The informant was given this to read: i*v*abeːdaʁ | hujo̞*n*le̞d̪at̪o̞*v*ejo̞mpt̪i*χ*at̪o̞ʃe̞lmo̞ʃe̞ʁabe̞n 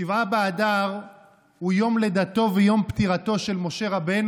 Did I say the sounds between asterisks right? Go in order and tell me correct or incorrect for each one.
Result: correct, incorrect: m, correct, incorrect: ʁ

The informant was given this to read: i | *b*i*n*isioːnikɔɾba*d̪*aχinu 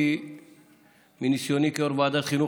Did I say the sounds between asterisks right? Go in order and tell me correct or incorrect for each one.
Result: incorrect: m, correct, correct

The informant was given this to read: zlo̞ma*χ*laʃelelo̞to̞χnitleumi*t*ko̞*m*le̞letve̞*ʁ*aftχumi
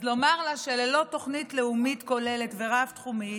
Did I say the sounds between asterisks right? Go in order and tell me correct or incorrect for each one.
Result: incorrect: ʁ, correct, incorrect: none, correct

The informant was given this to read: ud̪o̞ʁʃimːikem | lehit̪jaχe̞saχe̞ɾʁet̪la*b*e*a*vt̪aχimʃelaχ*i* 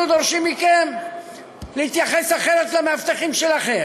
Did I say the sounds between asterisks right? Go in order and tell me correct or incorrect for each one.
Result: incorrect: m, correct, incorrect: e

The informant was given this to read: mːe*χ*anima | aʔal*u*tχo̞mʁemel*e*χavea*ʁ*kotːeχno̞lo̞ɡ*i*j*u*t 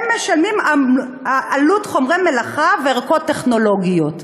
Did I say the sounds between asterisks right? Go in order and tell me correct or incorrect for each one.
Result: incorrect: ʃ, correct, incorrect: a, correct, correct, incorrect: o

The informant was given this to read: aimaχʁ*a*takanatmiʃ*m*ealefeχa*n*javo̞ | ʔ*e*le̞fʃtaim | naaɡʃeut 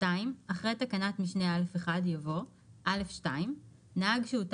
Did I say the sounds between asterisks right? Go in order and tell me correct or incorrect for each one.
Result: incorrect: e, incorrect: n, incorrect: d, incorrect: a

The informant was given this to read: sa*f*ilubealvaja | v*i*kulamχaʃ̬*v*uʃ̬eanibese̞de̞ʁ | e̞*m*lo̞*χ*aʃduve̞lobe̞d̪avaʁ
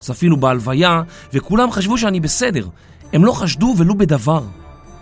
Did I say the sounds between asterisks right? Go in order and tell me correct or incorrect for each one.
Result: correct, incorrect: e, correct, correct, correct

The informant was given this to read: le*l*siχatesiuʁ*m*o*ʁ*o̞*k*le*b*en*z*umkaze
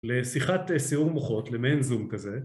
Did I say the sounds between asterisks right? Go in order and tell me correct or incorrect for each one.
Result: incorrect: none, correct, incorrect: χ, incorrect: t, incorrect: m, correct

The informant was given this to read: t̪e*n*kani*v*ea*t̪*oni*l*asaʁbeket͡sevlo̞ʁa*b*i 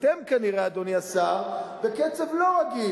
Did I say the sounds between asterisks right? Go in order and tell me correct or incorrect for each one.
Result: incorrect: m, incorrect: ʁ, incorrect: d̪, incorrect: none, incorrect: ɡ

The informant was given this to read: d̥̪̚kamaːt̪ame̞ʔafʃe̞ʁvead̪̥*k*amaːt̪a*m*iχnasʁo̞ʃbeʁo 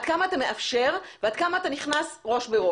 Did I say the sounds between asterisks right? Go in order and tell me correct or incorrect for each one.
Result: correct, incorrect: n

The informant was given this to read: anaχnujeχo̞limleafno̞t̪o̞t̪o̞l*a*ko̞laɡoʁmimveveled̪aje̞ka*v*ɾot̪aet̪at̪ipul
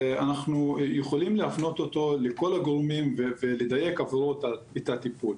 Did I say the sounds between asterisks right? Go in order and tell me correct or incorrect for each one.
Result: incorrect: e, correct

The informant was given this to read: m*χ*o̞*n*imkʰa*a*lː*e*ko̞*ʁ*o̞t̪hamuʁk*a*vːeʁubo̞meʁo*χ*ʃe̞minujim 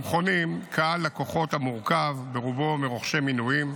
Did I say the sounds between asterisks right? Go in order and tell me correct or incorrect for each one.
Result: correct, correct, correct, incorrect: a, incorrect: χ, correct, correct

